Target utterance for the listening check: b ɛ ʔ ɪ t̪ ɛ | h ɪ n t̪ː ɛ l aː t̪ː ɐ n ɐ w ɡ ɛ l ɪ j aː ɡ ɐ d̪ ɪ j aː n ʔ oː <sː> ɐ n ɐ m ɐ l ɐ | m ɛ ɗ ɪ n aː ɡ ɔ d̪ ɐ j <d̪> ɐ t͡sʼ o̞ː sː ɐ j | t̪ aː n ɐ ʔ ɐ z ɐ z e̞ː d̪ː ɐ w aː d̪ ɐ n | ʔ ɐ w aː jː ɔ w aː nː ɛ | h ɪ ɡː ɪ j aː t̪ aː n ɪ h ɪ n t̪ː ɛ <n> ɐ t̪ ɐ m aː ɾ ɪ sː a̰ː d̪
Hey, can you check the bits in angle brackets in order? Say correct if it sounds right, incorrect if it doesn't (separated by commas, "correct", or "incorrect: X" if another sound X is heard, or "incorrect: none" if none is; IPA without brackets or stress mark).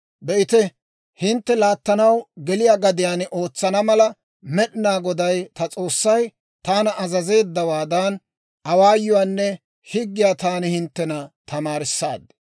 incorrect: t͡sː, incorrect: t̪, correct